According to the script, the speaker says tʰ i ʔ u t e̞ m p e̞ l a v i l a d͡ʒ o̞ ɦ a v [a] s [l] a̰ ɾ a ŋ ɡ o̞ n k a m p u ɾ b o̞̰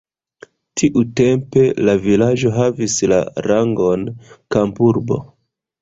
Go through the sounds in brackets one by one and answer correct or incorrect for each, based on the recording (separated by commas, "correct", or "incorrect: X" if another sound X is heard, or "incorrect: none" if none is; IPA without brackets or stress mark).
incorrect: i, correct